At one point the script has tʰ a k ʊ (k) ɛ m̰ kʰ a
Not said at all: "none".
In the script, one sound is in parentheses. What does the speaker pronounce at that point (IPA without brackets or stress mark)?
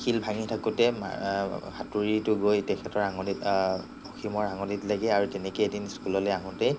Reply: t